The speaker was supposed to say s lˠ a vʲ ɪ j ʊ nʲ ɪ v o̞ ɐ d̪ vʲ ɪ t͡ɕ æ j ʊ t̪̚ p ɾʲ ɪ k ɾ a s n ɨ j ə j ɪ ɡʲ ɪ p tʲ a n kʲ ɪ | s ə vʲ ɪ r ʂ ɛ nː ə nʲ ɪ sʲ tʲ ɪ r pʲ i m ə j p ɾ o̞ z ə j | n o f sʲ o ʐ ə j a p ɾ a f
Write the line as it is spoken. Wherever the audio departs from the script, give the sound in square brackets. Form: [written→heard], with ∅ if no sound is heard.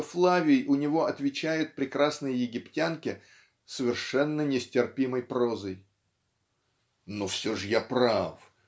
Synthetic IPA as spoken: [s→f] lˠ a vʲ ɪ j ʊ nʲ ɪ v o̞ ɐ [d̪→t̪] vʲ ɪ t͡ɕ æ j ʊ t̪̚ p ɾʲ ɪ k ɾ a s n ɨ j ə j ɪ ɡʲ ɪ p tʲ a n kʲ ɪ | s ə vʲ ɪ r ʂ ɛ nː ə nʲ ɪ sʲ tʲ ɪ r pʲ i m ə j p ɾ o̞ z ə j | n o f sʲ o ʐ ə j a p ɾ a f